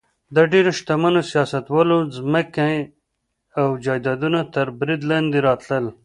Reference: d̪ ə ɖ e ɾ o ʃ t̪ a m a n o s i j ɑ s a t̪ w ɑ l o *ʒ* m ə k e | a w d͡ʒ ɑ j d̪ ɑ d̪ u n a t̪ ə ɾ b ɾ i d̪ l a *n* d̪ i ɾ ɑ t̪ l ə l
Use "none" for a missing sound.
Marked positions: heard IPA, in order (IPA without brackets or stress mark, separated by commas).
z, n